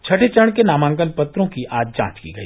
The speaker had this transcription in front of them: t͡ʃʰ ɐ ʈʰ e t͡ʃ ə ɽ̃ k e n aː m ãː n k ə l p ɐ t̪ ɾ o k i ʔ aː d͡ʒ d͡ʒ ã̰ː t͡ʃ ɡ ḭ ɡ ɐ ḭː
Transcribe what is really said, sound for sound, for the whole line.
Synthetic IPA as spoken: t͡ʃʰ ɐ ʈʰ e t͡ʃ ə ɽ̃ k e n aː m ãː ŋ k ə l p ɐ t̪ ɾ õ k i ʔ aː d͡ʒ d͡ʒ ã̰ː t͡ʃ k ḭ ɡ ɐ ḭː